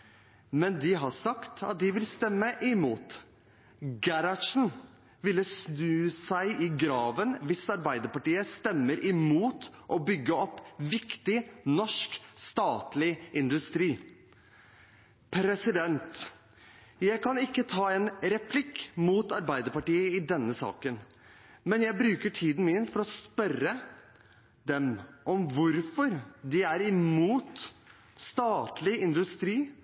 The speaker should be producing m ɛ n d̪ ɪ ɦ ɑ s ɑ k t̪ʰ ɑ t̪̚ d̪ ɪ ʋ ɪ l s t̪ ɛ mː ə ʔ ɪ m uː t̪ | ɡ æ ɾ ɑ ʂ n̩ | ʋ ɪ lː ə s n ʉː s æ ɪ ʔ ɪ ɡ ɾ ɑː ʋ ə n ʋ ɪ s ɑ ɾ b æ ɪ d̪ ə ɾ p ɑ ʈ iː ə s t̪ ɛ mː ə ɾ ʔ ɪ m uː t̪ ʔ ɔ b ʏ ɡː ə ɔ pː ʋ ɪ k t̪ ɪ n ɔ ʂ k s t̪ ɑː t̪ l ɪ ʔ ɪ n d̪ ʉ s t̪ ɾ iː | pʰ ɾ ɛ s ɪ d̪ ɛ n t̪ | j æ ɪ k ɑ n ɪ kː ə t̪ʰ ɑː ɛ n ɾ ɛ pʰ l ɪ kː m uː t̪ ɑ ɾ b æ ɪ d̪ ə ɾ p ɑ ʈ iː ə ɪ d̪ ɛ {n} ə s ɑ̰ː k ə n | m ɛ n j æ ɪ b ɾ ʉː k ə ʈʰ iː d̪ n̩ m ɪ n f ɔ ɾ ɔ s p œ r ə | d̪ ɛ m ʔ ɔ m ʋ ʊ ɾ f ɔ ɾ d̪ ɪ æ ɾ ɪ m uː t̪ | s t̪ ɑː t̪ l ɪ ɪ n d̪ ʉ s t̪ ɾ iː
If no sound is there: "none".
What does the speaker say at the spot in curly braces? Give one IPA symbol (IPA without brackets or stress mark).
nː